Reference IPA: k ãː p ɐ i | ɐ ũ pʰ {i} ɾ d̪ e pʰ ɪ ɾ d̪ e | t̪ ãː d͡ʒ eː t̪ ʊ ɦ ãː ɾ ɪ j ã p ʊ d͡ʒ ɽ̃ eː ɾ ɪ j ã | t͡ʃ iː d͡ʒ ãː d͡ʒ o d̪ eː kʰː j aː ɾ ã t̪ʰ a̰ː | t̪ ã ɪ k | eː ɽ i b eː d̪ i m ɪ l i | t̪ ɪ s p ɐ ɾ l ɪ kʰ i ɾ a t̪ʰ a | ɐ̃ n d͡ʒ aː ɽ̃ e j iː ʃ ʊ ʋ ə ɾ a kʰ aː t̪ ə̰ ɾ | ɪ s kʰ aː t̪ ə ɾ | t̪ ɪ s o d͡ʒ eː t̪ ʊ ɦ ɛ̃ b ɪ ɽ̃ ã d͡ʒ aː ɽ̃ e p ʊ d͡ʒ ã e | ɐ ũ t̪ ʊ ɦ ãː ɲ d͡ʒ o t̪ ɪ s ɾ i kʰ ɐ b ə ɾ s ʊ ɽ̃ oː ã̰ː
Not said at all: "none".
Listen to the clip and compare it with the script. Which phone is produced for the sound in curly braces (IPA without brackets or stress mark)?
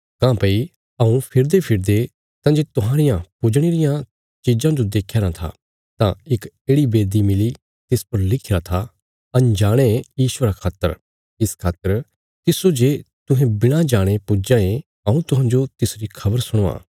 ɪ